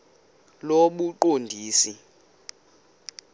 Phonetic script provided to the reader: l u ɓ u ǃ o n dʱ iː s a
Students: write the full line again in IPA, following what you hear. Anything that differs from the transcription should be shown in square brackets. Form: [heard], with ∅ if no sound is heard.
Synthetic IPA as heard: l [o] ɓ u ǃ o n dʱ iː s [i]